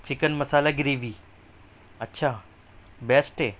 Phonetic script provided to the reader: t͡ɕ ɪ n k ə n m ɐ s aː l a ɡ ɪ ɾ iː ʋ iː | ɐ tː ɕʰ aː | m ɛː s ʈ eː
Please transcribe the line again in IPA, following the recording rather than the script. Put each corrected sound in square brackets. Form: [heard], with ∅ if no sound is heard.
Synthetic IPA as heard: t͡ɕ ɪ [∅] k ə n m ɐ s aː l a ɡ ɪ ɾ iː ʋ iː | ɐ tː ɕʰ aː | [b] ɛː s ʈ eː